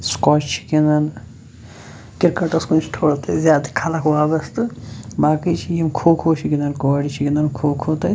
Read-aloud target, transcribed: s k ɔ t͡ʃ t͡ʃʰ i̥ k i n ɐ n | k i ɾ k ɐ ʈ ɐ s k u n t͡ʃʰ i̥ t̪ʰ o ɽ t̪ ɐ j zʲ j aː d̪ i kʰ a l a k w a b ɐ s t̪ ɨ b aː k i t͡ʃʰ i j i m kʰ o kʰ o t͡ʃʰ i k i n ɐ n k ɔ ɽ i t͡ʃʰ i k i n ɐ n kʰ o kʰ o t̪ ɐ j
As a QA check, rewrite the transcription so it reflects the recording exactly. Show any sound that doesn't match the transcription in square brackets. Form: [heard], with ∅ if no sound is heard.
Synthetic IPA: s k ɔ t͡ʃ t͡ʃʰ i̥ k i n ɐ n | k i ɾ k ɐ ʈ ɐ s k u n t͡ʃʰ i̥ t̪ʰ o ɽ t̪ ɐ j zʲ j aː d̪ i kʰ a l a k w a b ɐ s t̪ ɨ b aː k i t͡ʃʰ i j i m kʰ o kʰ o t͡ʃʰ i k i n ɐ n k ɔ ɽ i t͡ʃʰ i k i n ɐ n kʰ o kʰ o t̪ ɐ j